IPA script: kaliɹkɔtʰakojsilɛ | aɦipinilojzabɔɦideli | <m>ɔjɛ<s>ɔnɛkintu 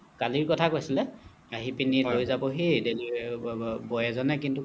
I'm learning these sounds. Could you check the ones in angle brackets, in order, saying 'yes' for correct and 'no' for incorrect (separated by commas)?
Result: no, no